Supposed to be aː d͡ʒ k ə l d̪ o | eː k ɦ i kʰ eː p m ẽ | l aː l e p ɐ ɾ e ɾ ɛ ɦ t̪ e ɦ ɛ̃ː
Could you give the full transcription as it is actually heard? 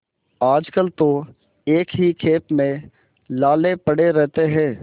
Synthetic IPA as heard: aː d͡ʒ k ə l t̪ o | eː k ɦ i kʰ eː p m ẽ | l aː l e p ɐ ɽ e ɾ ɛ ɦ t̪ e ɦ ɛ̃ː